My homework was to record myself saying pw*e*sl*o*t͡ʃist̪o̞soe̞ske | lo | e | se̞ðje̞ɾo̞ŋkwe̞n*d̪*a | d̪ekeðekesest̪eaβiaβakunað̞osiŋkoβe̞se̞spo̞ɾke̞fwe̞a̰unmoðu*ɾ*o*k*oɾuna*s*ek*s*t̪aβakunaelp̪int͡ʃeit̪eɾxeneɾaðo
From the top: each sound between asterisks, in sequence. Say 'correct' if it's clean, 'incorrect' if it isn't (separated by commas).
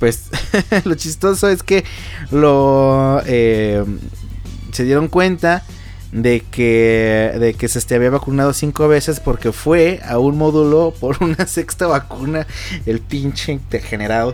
correct, correct, incorrect, incorrect, incorrect, correct, correct